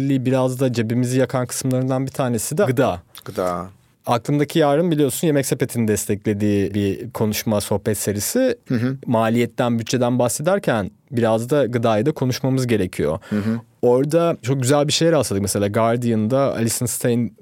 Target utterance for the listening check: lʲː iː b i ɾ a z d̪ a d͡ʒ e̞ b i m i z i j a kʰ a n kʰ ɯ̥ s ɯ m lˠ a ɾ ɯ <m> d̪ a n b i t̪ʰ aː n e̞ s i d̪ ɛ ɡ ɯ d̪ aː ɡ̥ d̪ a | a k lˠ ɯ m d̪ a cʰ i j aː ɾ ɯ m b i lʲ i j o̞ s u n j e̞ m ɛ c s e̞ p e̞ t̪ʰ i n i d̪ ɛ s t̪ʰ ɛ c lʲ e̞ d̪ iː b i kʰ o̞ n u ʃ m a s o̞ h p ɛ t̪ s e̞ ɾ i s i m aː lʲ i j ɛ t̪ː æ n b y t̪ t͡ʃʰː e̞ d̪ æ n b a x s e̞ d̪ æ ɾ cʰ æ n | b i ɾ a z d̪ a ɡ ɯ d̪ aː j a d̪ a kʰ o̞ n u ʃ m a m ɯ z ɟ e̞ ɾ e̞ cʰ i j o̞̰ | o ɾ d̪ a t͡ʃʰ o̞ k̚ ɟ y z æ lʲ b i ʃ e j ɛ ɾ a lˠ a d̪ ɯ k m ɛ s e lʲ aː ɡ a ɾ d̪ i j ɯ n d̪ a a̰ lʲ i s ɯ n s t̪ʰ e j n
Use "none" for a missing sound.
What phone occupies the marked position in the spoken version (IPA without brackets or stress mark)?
n